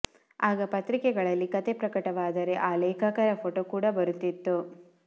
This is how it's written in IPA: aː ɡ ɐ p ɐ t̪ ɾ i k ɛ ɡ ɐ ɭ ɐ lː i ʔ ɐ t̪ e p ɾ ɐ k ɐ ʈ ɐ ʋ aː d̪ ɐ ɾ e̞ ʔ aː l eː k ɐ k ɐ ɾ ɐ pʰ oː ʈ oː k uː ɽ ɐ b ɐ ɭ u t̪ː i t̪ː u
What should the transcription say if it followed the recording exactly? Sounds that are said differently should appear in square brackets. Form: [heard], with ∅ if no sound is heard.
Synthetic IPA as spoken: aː ɡ ɐ p ɐ t̪ ɾ i k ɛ ɡ ɐ ɭ ɐ lː i [k] ɐ t̪ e p ɾ ɐ k ɐ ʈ ɐ ʋ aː d̪ ɐ ɾ e̞ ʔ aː l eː k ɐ k ɐ ɾ ɐ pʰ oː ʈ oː k uː ɽ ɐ b ɐ [ɾ] u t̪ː i t̪ː u